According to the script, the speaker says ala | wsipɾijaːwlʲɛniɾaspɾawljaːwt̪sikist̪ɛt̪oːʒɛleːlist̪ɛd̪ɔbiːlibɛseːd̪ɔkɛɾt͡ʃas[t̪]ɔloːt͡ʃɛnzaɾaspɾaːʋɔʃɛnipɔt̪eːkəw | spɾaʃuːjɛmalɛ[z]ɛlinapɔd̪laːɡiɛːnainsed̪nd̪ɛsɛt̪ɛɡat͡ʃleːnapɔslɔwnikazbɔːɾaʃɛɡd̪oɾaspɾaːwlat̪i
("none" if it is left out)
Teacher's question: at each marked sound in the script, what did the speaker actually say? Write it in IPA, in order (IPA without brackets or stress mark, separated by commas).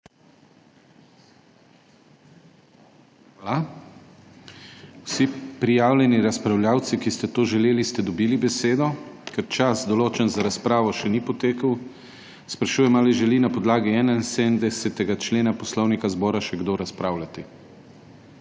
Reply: d̪, ʒ